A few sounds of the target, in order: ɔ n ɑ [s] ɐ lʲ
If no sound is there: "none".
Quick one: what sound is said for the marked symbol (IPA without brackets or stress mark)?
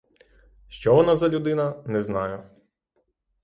z